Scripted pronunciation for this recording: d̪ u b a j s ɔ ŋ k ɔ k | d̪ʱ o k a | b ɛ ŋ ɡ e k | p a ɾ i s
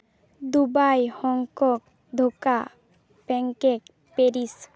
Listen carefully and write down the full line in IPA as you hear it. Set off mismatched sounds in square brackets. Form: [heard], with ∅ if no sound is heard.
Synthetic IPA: d̪ u b a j [h] ɔ ŋ k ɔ k | d̪ʱ o k a | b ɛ ŋ [k] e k | p [e] ɾ i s